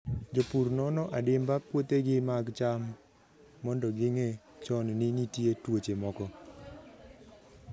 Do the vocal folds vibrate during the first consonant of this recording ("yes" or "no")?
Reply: yes